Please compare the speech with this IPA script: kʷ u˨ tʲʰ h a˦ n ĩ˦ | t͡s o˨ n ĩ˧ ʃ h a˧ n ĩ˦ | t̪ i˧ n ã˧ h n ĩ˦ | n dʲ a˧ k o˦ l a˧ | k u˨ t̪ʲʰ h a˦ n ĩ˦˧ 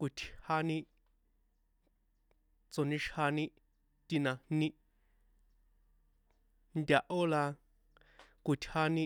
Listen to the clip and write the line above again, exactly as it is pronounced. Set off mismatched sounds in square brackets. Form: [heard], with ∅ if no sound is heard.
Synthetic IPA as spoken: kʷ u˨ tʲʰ h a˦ n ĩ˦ | t͡s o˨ n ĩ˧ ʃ h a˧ n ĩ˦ | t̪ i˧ n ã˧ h n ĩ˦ | n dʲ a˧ [ʔ] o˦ l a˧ | k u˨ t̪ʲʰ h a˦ n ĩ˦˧